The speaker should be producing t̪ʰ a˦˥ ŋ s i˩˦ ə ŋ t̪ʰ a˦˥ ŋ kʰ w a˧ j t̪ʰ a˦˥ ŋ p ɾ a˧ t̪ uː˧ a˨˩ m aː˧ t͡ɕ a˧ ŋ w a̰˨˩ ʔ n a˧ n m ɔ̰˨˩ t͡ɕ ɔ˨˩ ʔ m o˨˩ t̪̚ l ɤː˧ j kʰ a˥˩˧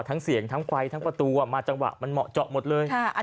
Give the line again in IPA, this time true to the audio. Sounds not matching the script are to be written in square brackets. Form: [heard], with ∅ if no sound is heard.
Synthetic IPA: t̪ʰ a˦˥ ŋ s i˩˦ ə ŋ t̪ʰ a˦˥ ŋ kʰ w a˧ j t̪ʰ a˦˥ ŋ p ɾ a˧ t̪ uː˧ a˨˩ m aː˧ t͡ɕ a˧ ŋ w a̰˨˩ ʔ [m] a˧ n m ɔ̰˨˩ t͡ɕ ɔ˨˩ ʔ m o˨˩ t̪̚ l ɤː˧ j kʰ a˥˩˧